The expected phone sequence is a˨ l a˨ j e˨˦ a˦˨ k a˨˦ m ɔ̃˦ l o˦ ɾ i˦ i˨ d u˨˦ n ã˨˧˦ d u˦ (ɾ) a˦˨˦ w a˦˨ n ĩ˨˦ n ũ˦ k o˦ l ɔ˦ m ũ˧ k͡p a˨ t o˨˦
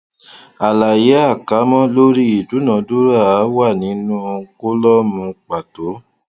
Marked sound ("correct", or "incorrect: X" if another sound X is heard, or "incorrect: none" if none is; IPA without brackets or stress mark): correct